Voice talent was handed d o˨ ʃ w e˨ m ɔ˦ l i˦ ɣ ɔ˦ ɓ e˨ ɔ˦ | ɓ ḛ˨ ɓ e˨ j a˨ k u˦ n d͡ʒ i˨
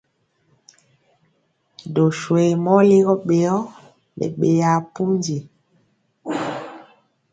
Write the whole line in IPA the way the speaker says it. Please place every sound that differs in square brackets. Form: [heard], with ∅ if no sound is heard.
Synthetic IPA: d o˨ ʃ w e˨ m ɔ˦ l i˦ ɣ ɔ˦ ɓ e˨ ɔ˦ | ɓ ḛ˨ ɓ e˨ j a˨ [p] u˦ n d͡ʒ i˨